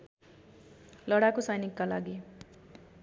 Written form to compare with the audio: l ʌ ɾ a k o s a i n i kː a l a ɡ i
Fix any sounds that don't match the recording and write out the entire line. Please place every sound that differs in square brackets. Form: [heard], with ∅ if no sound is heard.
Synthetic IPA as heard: l ʌ [ɽ] a k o s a [j] n i kː a l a ɡ i